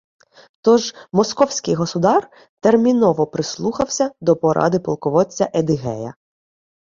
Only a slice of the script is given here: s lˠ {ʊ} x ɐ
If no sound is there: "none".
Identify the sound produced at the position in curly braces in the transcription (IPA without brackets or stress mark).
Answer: u